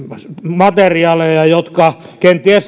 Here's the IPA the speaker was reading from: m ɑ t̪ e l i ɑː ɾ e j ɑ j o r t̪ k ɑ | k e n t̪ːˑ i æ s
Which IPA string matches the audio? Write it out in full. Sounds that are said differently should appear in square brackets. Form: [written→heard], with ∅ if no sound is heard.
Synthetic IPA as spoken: m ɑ t̪ e [l→r] i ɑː [ɾ→l] e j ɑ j o [r→∅] t̪ k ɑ | k e n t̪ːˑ i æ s